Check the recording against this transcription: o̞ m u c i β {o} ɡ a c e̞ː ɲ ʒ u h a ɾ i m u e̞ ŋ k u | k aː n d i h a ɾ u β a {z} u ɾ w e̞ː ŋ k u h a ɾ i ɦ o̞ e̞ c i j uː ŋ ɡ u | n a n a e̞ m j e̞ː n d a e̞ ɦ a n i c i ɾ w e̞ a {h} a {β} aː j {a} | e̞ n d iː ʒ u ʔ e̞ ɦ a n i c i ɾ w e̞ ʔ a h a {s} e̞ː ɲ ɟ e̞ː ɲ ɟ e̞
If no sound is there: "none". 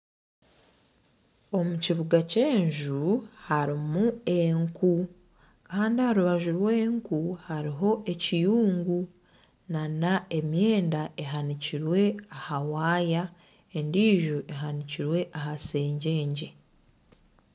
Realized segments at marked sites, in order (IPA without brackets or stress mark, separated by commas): u, ʒ, h, w, a, s